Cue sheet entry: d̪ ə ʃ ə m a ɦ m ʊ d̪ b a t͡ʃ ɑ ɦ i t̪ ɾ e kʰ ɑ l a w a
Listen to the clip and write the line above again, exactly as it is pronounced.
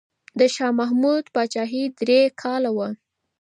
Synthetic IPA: d̪ ə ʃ ɑ m a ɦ m u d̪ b ɑ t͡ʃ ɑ ɦ i d̪ ɾ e kʰ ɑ l a w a